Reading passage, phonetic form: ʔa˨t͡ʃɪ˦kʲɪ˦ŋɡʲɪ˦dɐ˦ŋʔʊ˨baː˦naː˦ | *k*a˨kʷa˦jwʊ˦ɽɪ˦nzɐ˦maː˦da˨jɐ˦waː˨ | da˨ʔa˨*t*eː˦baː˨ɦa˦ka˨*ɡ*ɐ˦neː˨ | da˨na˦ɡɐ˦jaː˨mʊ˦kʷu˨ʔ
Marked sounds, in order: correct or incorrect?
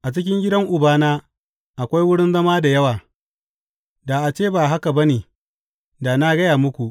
incorrect, incorrect, incorrect

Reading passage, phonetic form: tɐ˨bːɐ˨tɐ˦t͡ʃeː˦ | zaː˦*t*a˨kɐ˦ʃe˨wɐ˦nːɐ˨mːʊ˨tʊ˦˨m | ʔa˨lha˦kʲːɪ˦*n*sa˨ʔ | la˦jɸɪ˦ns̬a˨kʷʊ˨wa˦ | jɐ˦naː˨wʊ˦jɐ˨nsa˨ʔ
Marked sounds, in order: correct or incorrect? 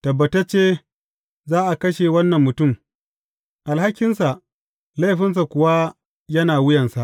incorrect, correct

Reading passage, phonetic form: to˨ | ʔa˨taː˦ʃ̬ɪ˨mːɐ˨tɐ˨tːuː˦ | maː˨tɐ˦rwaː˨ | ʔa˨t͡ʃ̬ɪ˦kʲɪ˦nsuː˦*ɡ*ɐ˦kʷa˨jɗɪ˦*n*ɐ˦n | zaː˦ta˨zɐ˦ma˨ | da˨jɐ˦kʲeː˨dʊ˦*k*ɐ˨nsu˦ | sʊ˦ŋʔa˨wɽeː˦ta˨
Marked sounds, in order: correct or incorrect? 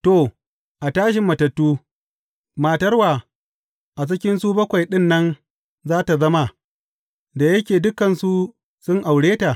incorrect, incorrect, correct

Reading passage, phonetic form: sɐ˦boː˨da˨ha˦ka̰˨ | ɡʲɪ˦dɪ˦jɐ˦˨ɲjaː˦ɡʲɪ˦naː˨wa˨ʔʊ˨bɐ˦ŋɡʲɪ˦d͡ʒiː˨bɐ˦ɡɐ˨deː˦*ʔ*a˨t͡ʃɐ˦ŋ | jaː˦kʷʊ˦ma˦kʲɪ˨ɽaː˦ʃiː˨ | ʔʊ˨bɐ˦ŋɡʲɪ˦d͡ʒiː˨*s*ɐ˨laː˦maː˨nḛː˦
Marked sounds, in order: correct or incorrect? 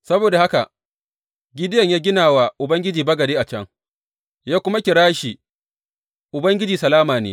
correct, correct

